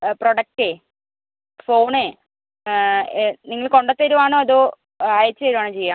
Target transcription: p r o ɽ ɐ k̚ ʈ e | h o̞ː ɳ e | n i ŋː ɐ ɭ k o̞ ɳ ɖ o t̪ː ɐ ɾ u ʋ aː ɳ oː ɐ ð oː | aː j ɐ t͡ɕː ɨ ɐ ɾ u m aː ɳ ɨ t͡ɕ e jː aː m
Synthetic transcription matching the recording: p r o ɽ ɐ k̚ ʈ e | f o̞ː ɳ e | n i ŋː ɐ ɭ k o̞ ɳ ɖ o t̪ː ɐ ɾ u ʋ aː ɳ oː ɐ ð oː | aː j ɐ t͡ɕː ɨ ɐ ɾ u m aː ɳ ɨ t͡ɕ e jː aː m